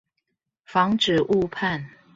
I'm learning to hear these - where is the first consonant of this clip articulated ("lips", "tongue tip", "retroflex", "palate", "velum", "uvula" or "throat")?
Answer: lips